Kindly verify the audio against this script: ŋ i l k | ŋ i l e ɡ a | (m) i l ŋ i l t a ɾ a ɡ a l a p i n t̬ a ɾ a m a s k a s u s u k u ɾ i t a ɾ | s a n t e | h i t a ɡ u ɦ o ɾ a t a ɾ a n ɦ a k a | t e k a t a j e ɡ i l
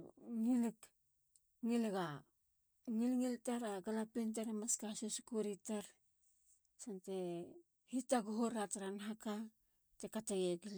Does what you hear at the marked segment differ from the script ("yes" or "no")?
yes